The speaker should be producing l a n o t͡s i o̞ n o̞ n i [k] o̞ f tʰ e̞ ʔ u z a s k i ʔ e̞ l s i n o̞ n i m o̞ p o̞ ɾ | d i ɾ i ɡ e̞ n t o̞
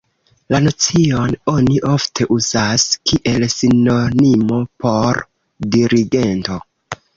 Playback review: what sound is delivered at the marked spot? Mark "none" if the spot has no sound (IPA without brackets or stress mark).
ʔ